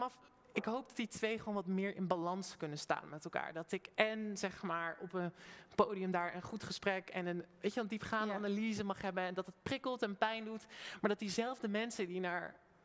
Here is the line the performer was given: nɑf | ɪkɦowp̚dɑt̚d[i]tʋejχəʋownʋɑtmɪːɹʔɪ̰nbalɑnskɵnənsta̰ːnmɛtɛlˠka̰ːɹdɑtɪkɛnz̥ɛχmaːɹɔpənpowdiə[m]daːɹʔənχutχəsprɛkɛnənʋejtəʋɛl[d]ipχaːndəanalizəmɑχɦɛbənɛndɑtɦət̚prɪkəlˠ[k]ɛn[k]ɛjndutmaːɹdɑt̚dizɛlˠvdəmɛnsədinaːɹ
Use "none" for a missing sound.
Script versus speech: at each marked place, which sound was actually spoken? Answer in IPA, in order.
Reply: i, m, d, t, p

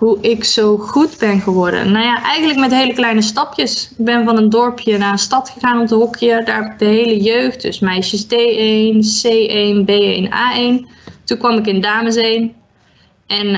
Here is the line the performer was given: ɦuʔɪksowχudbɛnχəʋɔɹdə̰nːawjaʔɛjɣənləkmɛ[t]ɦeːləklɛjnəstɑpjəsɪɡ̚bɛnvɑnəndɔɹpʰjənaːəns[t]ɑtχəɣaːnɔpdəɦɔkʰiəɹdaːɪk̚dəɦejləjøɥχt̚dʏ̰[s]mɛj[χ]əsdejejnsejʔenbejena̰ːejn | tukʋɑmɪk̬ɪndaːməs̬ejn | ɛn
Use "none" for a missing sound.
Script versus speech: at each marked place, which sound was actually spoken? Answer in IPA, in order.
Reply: t, t, s, ʃ

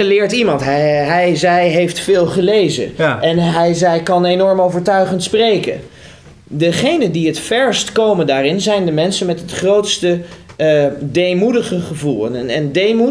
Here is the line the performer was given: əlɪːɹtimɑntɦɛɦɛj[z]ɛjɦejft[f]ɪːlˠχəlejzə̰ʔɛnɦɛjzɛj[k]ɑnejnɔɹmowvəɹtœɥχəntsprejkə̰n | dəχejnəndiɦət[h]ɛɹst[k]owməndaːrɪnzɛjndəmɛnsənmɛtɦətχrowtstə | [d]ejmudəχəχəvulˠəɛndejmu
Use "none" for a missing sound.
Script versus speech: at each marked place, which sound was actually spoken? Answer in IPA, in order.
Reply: z, f, k, f, k, d

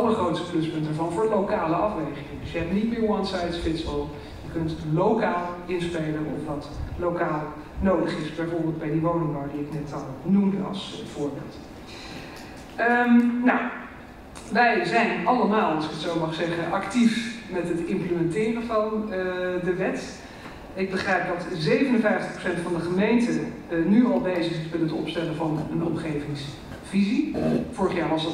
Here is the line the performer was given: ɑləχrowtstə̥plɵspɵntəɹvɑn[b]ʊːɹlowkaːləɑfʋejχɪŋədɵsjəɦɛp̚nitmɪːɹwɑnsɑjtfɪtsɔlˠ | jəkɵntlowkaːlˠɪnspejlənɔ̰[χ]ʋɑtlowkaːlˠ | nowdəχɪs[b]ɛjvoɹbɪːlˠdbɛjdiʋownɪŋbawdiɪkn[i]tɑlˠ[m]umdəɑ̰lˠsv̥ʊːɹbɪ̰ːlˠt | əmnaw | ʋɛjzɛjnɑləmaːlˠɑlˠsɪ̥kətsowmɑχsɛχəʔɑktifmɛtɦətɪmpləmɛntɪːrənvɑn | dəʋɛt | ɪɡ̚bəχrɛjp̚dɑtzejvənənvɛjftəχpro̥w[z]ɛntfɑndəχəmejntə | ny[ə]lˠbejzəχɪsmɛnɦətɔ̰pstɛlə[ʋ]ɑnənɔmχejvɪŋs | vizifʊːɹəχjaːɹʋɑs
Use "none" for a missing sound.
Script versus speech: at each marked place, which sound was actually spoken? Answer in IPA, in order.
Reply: v, f, b, ɛ, n, s, ɑ, v

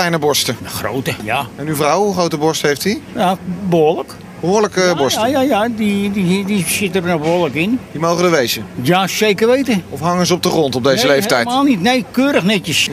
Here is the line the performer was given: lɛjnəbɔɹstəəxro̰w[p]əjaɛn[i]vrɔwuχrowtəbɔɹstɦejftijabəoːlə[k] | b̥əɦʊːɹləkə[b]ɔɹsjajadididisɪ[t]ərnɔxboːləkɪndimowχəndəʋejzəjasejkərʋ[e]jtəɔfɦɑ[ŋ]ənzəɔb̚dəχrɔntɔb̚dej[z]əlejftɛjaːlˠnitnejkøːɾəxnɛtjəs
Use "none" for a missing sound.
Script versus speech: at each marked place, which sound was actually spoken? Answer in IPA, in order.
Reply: t, y, k, b, t, e, ŋ, z

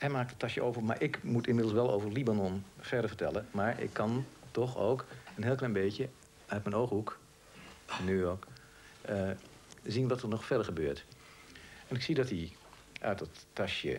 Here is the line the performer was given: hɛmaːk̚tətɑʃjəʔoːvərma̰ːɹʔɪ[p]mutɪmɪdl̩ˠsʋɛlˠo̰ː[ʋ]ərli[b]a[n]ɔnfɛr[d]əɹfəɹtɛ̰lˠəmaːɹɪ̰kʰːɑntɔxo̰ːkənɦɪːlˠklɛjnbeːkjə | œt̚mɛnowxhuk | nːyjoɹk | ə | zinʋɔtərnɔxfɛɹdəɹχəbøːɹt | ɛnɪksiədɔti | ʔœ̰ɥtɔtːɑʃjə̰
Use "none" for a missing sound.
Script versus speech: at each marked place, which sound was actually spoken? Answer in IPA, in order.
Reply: k, v, b, n, d

